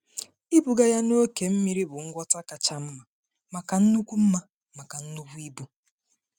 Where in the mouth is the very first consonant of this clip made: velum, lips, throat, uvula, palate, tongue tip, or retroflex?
lips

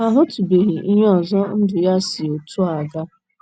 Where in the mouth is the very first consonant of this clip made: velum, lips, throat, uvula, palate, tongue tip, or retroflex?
throat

